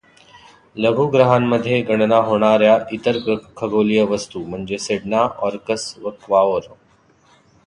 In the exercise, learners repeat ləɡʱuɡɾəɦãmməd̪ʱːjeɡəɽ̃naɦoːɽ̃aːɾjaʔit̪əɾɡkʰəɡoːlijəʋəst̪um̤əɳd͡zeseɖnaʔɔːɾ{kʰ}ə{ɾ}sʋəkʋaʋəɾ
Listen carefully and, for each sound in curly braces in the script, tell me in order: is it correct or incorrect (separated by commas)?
incorrect, incorrect